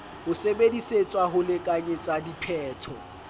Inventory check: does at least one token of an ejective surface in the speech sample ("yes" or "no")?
yes